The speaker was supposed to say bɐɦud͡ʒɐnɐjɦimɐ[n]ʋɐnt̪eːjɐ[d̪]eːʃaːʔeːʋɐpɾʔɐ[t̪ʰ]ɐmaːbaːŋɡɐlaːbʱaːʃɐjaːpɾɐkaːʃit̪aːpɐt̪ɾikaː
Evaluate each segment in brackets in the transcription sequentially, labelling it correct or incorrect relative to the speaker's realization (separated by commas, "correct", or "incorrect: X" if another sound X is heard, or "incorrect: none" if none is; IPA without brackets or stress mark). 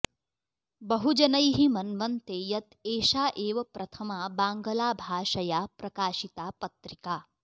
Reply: correct, incorrect: t̪, correct